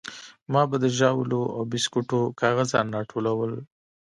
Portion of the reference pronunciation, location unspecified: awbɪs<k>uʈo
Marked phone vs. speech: correct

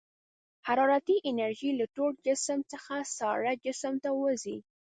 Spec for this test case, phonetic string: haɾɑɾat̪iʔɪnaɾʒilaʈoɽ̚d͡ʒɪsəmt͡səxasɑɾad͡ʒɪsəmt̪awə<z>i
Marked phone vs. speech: correct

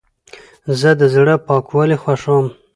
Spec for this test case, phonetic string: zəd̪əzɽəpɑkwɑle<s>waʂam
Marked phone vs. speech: incorrect: x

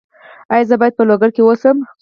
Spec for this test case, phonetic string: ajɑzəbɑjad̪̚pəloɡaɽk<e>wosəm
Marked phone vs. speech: correct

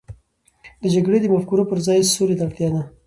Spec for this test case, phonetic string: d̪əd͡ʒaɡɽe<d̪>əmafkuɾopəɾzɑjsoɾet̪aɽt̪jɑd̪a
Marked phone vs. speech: correct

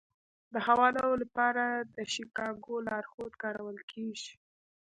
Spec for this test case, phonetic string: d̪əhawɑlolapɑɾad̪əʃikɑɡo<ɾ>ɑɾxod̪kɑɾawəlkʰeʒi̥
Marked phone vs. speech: incorrect: l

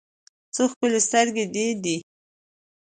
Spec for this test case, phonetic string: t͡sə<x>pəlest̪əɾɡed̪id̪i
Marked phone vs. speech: correct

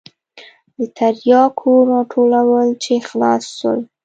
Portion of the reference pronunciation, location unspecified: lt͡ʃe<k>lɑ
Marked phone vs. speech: incorrect: x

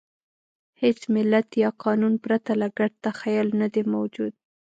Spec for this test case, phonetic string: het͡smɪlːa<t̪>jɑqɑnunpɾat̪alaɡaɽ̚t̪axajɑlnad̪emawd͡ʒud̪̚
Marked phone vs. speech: correct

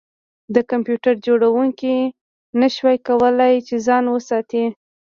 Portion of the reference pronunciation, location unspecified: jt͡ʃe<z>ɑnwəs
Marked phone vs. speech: correct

